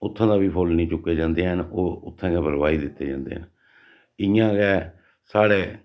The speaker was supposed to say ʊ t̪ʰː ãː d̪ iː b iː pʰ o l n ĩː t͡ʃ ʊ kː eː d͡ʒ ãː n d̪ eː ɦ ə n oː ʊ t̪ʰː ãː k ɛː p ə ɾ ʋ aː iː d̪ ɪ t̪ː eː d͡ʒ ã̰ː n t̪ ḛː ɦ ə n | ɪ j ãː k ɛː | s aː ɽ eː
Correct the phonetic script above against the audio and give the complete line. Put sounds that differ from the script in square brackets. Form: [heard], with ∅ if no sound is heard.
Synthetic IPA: ʊ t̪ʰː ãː d̪ [aː] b iː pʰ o l n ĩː t͡ʃ ʊ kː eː d͡ʒ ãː n d̪ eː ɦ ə n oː ʊ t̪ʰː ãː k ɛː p ə ɾ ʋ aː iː d̪ ɪ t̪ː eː d͡ʒ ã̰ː n [d̪] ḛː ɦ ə n | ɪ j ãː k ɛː | s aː ɽ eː